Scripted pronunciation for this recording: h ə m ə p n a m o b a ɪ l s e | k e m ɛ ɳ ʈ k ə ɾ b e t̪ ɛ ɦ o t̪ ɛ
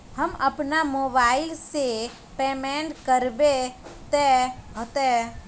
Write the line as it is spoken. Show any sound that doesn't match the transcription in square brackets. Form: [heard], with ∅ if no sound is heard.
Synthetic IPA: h ə m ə p n a m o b a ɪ l s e | [p] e m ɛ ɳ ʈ k ə ɾ b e t̪ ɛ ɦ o t̪ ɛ